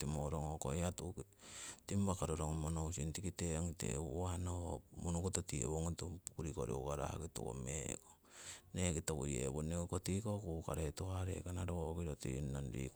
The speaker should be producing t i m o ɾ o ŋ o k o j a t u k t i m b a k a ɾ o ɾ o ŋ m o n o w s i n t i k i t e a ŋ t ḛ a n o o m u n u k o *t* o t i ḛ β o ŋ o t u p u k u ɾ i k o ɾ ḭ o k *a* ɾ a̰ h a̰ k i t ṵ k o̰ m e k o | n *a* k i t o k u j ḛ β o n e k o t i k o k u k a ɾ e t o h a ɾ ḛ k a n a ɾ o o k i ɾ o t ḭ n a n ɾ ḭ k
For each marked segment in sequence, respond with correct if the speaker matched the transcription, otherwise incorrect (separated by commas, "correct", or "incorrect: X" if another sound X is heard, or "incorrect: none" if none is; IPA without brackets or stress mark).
correct, correct, incorrect: e